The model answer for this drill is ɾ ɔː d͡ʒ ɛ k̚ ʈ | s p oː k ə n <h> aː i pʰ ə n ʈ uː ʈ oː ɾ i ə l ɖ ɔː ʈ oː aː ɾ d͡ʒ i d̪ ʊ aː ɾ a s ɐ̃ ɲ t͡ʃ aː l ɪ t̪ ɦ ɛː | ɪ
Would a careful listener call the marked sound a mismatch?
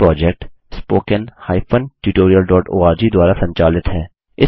no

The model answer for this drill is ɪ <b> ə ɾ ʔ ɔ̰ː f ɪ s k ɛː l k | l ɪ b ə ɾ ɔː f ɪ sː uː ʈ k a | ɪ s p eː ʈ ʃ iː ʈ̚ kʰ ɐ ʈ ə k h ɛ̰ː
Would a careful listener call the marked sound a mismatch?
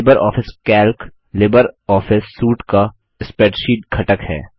no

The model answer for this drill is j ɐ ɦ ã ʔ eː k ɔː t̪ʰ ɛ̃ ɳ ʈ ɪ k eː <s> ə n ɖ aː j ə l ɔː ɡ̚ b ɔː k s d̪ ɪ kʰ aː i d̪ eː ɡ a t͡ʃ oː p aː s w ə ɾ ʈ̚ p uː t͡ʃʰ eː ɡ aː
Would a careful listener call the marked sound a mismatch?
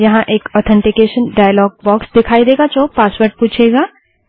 yes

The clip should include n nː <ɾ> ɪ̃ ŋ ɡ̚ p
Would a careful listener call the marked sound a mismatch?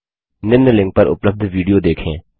yes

